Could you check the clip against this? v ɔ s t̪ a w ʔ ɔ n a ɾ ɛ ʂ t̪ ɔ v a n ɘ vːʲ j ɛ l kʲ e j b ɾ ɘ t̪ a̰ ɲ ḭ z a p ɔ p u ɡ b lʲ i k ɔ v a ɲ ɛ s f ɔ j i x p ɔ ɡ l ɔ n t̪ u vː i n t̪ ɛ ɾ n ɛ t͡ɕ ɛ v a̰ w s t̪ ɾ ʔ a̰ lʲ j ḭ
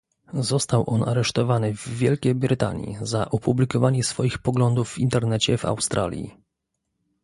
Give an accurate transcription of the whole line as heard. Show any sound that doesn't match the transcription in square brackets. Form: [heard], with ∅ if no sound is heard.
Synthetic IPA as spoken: [z] ɔ s t̪ a w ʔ ɔ n a ɾ ɛ ʂ t̪ ɔ v a n ɘ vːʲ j ɛ l kʲ e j b ɾ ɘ t̪ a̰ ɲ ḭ z a [ʔ] ɔ p u [∅] b lʲ i k ɔ v a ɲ ɛ s f ɔ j i x p ɔ ɡ l ɔ n [d̪] u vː i n t̪ ɛ ɾ n ɛ t͡ɕ ɛ v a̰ w s t̪ ɾ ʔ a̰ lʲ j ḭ

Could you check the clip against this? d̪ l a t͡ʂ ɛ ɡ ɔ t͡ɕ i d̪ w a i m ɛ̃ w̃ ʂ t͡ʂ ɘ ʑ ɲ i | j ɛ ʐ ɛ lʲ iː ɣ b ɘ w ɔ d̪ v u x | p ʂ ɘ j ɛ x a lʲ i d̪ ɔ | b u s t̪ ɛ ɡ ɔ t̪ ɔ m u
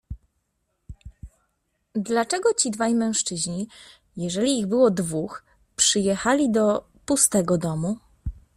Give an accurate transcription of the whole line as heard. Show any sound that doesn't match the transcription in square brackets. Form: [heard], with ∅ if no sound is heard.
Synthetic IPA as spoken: d̪ l a t͡ʂ ɛ ɡ ɔ t͡ɕ i d̪ [v] a [j] m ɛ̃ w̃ ʂ t͡ʂ ɘ ʑ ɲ i | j ɛ ʐ ɛ lʲ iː ɣ b ɘ w ɔ d̪ v u x | p ʂ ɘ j ɛ x a lʲ i d̪ ɔ | [p] u s t̪ ɛ ɡ ɔ [d̪] ɔ m u

